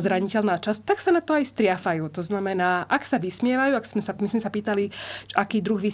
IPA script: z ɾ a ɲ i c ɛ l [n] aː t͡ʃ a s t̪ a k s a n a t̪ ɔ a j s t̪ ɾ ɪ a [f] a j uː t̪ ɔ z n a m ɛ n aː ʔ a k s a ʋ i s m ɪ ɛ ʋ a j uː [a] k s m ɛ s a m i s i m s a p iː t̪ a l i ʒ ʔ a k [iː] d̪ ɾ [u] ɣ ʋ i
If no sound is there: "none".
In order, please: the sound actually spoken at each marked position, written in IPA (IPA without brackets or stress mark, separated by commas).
n, f, a, iː, u